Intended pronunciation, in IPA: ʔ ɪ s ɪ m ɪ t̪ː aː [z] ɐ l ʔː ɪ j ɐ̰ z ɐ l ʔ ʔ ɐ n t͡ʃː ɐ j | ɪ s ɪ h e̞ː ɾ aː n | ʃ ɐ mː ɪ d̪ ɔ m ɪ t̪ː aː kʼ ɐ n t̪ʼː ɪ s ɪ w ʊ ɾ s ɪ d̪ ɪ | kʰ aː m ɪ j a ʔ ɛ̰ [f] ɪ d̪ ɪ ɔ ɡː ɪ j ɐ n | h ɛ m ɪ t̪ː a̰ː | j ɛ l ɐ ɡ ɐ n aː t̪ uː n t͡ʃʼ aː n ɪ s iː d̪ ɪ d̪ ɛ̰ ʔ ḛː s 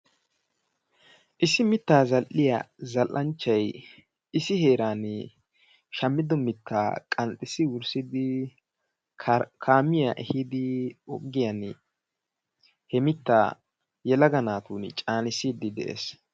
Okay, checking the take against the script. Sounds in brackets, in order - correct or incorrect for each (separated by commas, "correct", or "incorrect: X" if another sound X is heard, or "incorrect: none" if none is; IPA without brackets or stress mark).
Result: correct, incorrect: h